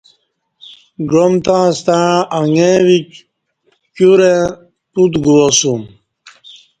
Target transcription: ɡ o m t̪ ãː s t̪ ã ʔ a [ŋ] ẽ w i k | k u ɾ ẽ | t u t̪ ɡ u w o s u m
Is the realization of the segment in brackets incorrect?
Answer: no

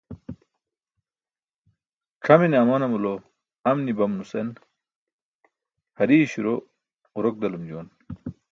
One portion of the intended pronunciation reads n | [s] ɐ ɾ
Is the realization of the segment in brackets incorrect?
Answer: yes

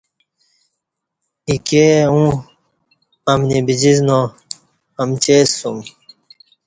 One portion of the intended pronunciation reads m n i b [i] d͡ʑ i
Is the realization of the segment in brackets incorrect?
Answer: no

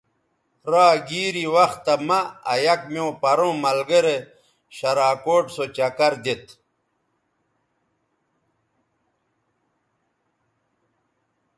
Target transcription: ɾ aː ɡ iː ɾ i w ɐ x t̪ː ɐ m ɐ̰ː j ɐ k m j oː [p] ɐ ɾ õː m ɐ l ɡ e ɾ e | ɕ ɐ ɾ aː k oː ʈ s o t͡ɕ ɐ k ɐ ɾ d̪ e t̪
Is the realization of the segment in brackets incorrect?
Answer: no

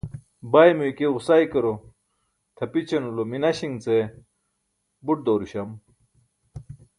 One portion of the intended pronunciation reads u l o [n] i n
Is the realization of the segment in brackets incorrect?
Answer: yes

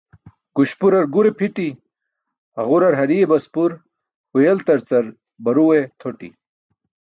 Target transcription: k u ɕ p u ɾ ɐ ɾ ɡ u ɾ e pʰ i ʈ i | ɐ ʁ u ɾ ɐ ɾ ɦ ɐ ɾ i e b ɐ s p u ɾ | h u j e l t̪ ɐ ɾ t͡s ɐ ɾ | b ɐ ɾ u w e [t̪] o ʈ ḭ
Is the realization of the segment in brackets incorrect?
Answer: yes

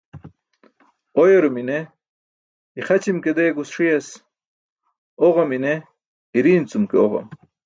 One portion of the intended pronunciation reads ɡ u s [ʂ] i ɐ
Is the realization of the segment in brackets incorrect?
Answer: no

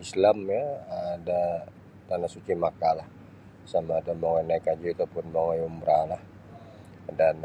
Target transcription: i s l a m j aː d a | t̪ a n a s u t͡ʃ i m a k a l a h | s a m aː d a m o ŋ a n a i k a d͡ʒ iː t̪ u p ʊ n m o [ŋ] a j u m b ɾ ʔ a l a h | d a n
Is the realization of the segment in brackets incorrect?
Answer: no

